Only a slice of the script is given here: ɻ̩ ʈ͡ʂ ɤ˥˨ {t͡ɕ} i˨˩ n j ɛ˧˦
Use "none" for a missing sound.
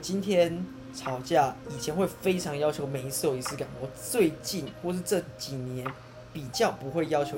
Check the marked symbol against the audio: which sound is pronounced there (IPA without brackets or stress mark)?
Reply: t͡ɕ